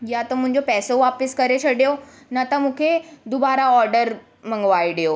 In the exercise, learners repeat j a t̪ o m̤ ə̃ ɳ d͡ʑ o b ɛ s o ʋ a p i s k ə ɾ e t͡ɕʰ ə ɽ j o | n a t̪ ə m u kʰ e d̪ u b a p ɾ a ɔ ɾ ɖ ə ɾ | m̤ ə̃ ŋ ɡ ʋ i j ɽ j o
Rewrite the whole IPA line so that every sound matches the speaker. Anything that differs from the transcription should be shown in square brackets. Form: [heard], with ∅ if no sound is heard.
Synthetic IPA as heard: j a t̪ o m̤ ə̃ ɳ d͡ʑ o [p] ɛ s o ʋ a p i s k ə ɾ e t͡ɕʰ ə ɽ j o | n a t̪ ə m u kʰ e d̪ u b a [∅] ɾ a ɔ ɾ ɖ ə ɾ | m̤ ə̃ ŋ ɡ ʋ [a] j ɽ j o